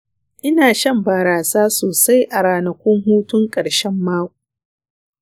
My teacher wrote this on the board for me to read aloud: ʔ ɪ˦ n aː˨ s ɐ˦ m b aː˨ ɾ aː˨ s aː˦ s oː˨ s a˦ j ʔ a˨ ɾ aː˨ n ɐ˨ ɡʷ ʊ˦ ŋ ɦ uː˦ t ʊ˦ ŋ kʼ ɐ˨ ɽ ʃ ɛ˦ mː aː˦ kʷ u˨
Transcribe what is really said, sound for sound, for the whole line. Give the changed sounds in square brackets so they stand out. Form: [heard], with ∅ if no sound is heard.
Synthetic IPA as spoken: ʔ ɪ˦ n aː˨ [ʃ] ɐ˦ m b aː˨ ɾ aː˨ s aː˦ s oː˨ s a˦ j ʔ a˨ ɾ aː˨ n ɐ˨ [kʷ] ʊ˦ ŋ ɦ uː˦ t ʊ˦ ŋ kʼ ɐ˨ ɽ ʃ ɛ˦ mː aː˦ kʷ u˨